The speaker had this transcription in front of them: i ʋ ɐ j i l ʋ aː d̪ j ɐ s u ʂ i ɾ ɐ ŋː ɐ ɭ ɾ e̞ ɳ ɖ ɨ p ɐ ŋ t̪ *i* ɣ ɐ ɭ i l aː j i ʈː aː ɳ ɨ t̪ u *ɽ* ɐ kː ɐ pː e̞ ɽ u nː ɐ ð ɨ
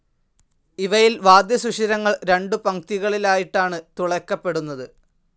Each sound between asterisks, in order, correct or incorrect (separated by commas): correct, incorrect